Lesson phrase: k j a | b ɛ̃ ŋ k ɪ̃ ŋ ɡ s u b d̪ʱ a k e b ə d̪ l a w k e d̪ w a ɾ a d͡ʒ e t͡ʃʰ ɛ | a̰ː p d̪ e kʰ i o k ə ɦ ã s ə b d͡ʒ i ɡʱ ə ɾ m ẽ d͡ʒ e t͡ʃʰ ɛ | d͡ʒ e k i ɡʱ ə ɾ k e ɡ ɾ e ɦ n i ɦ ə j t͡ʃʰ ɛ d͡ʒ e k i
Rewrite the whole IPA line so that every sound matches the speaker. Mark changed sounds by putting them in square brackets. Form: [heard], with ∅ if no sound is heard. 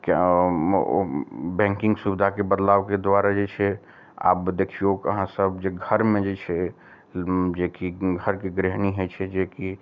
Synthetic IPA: k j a | b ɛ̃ ŋ k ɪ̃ ŋ ɡ s u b d̪ʱ a k e b ə d̪ l a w k e d̪ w a ɾ a d͡ʒ e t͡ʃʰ ɛ | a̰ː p d̪ e kʰ i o k ə ɦ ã s ə b d͡ʒ [e] ɡʱ ə ɾ m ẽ d͡ʒ e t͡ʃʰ ɛ | d͡ʒ e k i ɡʱ ə ɾ k e ɡ ɾ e ɦ n i ɦ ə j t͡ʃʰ ɛ d͡ʒ e k i